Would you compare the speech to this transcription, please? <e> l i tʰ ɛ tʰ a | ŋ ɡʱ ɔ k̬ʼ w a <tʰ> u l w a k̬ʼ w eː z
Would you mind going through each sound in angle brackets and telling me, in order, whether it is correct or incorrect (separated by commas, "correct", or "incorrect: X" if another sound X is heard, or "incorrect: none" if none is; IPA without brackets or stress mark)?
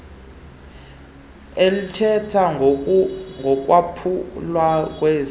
correct, incorrect: pʰ